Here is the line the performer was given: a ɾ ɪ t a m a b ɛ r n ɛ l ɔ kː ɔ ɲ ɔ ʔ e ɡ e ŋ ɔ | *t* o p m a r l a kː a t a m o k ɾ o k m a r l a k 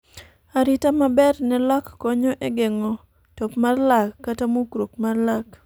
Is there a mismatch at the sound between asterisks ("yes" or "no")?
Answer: no